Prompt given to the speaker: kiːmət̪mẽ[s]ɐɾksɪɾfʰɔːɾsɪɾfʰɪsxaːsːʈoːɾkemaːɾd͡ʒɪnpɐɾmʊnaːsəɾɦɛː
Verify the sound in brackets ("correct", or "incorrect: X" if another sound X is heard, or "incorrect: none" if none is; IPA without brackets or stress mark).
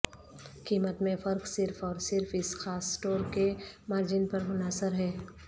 incorrect: f